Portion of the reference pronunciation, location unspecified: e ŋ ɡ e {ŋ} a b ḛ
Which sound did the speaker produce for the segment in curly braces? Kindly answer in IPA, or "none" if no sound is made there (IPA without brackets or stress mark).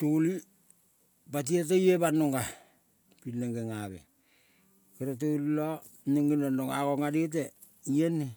ŋ